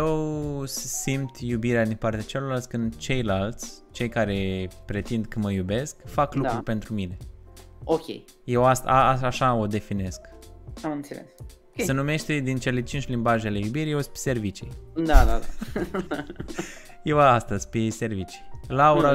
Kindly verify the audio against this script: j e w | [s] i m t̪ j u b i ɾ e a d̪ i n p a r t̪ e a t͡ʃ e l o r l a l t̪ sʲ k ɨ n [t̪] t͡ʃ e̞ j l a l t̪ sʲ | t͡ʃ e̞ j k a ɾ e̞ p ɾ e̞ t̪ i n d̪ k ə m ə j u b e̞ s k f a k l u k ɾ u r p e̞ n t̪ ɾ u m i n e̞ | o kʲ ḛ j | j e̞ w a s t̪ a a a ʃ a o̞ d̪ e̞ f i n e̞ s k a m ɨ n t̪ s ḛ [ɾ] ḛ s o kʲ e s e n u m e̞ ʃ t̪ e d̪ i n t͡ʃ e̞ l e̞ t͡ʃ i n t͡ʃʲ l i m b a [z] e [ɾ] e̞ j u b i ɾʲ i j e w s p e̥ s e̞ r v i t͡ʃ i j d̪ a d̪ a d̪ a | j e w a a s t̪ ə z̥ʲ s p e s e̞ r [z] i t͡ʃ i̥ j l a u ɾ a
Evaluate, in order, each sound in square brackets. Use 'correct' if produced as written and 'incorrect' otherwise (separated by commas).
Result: correct, incorrect, incorrect, incorrect, incorrect, incorrect